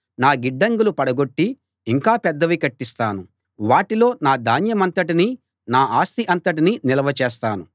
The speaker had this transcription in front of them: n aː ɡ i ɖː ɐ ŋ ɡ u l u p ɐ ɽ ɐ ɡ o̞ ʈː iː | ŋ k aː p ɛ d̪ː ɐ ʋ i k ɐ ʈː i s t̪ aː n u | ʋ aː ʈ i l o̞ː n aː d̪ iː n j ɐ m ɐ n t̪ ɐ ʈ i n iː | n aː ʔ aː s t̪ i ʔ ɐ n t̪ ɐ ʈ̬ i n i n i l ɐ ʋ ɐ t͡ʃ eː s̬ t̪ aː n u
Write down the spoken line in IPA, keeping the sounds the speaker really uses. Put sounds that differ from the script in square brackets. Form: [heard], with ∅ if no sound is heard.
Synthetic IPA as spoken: n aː ɡ i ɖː ɐ ŋ ɡ u l u p ɐ ɽ ɐ ɡ o̞ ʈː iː | ŋ k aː p ɛ d̪ː ɐ ʋ i k ɐ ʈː i s t̪ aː n u | ʋ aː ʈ i l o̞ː n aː d̪ [aː] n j ɐ m ɐ n t̪ ɐ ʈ i n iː | n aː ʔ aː s t̪ i ʔ ɐ n t̪ ɐ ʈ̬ i n i n i l ɐ ʋ ɐ t͡ʃ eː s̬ t̪ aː n u